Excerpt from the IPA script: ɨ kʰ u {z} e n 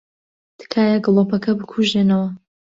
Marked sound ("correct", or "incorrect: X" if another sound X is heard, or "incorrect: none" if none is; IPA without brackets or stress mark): incorrect: ʒ